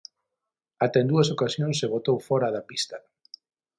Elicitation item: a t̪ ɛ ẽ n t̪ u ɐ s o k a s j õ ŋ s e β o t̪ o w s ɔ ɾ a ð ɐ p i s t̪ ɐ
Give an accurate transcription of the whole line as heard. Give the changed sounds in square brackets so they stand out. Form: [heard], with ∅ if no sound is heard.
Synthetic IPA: a t̪ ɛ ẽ n [d̪] u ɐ s o k a s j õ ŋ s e β o t̪ o w [f] ɔ ɾ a ð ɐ p i s t̪ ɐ